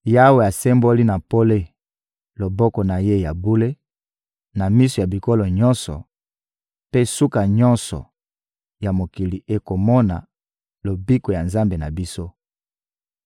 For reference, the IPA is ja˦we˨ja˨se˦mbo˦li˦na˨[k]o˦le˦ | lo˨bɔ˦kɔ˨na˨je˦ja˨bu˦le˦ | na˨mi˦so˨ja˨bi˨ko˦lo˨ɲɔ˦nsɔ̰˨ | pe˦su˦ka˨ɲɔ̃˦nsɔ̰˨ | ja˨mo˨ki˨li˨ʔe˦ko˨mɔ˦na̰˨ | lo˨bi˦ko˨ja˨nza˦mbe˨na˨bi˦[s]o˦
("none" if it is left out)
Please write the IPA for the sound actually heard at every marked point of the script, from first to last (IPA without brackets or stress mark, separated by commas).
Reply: p, s